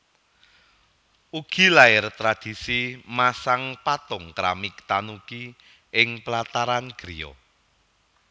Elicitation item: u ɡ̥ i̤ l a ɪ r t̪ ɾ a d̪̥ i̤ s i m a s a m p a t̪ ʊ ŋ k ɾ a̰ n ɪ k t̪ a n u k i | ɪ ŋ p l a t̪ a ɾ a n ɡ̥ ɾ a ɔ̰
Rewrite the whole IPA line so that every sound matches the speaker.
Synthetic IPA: u ɡ̥ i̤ l a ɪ r t̪ ɾ a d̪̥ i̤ s i m a s a ŋ p a t̪ ʊ ŋ k ɾ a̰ m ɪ k t̪ a n u k i | ɪ ŋ p l a t̪ a ɾ a n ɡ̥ ɾ i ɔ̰